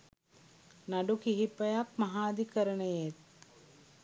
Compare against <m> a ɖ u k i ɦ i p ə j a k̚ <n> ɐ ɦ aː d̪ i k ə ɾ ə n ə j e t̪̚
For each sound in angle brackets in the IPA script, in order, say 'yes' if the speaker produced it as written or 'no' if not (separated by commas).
no, no